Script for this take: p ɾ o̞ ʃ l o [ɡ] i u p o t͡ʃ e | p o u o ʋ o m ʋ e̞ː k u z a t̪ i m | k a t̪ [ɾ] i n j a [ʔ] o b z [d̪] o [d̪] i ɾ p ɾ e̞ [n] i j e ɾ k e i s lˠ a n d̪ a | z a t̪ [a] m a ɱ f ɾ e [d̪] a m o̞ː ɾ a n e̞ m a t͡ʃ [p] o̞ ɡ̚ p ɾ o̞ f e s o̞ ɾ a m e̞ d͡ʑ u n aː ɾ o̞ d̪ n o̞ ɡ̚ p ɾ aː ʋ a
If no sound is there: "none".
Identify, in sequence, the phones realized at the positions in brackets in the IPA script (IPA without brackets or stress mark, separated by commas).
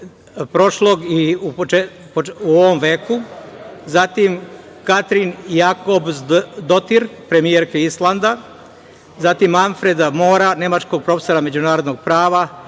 ɡ, ɾ, k, d̪, t̪, m, i, d̪, k